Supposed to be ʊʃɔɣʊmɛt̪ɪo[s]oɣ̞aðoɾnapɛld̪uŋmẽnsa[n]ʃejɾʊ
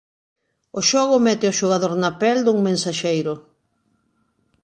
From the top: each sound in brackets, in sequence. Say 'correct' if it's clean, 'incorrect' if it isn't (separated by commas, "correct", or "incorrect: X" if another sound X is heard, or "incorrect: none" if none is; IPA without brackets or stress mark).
incorrect: ʃ, incorrect: none